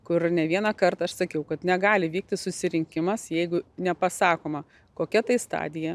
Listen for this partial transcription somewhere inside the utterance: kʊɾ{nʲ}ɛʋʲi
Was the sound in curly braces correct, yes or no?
yes